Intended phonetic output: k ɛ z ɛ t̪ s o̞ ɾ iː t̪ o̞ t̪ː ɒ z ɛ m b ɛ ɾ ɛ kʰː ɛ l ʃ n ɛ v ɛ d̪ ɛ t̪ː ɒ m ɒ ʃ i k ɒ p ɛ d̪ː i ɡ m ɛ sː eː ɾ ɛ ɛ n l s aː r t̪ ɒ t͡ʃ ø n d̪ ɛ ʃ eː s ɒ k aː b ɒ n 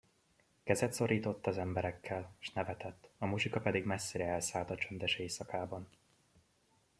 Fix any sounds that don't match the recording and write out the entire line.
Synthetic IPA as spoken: k ɛ z ɛ t̪ s o̞ ɾ iː t̪ o̞ t̪ː ɒ z ɛ m b ɛ ɾ ɛ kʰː ɛ l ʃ n ɛ v ɛ t̪ ɛ t̪ː ɒ m u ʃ i k ɒ p ɛ d̪ i ɡ m ɛ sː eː ɾ ɛ ɛ l s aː l t̪ ɒ t͡ʃ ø n d̪ ɛ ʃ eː s ɒ k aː b ɒ n